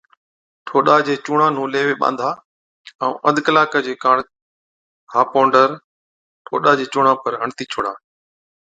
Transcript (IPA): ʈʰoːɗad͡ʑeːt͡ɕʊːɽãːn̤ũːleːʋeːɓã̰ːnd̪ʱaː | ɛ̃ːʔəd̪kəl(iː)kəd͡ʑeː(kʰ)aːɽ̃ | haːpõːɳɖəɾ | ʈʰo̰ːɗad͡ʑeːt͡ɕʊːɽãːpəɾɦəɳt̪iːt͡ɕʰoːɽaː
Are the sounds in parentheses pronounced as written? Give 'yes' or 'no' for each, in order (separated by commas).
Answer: no, no